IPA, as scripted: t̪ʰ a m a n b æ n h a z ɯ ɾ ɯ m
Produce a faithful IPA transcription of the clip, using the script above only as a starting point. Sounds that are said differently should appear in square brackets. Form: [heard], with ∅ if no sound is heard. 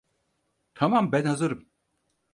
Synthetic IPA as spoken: t̪ʰ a m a [m] b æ n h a z ɯ ɾ ɯ m